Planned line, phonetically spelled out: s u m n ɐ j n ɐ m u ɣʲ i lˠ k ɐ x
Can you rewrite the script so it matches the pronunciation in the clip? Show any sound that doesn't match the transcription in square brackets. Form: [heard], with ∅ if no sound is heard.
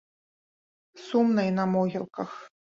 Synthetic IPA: s u m n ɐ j n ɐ m [ɔ] ɣʲ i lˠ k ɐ x